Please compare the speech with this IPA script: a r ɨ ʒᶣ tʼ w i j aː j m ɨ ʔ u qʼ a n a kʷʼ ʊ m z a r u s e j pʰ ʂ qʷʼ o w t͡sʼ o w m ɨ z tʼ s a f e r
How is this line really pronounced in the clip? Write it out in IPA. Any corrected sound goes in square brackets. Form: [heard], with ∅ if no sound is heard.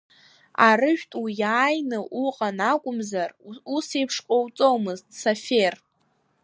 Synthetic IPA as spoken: a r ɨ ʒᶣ tʼ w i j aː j [n] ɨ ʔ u qʼ a n a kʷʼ ʊ m z a r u s e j pʰ ʂ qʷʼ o w t͡sʼ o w m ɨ z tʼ s a f e r